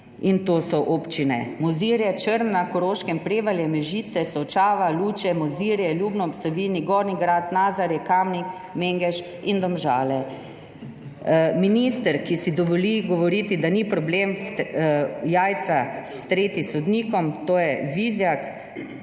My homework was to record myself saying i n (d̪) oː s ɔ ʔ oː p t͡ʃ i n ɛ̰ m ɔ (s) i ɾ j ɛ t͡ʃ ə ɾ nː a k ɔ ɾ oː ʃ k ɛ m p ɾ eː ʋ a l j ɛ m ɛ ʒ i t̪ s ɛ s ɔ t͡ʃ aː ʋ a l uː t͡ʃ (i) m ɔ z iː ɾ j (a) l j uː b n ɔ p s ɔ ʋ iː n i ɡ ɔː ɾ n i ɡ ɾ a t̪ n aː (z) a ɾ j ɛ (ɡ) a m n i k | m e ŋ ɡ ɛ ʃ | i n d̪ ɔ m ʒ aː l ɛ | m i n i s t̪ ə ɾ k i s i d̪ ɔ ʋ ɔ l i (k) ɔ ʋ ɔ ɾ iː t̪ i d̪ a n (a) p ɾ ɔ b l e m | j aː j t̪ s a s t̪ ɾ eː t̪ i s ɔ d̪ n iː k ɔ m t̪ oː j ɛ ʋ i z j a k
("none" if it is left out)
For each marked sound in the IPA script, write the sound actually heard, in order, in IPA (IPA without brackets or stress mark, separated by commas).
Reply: t̪, z, ɛ, ɛ, z, k, ɡ, i